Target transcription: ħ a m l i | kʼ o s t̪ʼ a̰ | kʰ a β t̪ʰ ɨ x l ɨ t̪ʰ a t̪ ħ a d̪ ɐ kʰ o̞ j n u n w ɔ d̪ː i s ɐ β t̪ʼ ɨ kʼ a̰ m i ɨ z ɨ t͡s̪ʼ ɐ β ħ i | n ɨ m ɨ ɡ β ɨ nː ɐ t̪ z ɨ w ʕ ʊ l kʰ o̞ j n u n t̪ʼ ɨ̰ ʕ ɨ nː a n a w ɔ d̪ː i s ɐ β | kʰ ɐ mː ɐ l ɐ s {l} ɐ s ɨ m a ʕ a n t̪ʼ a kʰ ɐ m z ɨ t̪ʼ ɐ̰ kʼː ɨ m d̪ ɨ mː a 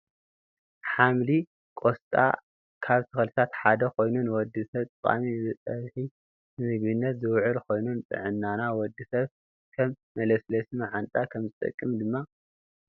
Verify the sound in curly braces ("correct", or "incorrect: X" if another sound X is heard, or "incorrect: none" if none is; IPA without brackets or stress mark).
correct